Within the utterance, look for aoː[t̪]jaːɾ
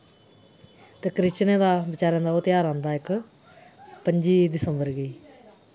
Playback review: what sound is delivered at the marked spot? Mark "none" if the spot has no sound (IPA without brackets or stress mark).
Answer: t̪